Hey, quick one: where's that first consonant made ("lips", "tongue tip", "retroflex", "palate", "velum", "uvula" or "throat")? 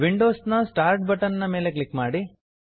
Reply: lips